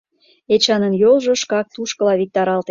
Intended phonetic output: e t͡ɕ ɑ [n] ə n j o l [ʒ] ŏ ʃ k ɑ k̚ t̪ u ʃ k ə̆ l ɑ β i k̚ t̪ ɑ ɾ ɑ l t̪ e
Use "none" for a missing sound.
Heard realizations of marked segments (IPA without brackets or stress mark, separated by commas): n, ʒ